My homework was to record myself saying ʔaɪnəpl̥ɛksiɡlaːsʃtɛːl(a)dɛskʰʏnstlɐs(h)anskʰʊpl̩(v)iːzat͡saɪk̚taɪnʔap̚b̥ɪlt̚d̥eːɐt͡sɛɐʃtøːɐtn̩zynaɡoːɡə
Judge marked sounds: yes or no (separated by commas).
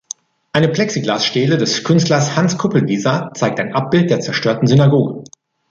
no, yes, yes